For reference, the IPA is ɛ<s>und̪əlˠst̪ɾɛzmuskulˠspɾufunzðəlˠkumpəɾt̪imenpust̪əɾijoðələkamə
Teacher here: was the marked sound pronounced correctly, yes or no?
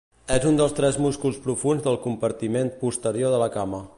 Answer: no